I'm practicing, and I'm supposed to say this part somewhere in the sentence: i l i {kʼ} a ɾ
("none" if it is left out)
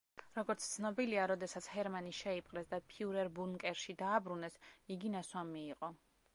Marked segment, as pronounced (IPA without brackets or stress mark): none